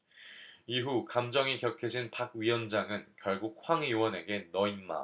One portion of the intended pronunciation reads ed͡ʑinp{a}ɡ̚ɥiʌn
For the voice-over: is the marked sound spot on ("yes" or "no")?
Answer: yes